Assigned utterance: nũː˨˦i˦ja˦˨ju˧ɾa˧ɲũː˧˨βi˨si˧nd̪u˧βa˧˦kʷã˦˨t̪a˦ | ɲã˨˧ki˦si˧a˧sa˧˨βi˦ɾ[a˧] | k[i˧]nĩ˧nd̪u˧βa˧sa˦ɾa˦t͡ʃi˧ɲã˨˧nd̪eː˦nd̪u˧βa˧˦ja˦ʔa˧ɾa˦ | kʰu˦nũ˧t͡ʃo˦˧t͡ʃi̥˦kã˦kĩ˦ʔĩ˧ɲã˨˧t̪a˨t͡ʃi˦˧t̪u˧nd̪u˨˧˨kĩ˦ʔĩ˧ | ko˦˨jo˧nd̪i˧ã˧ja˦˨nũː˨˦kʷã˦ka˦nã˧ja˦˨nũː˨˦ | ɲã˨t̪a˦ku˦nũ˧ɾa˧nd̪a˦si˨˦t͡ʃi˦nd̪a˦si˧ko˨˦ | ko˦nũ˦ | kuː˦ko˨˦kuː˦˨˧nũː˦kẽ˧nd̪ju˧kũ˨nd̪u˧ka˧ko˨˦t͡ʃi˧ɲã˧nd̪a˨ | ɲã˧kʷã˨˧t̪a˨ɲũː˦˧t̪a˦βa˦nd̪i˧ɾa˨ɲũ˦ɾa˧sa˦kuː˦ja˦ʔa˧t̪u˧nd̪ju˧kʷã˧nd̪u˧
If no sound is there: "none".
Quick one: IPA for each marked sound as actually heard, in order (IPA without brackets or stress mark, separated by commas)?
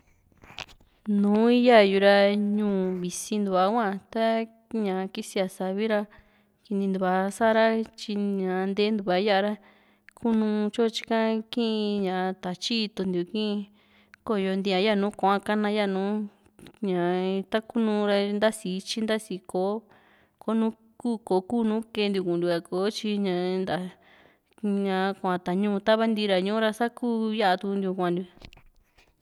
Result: a˧, i˧